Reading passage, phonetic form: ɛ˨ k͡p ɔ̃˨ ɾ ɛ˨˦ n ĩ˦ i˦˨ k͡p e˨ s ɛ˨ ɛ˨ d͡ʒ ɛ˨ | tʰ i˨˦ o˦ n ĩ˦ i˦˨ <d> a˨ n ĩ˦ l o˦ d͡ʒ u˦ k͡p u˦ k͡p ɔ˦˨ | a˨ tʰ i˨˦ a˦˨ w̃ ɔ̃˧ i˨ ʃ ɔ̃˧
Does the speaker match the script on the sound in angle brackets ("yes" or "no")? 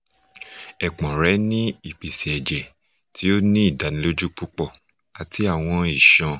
yes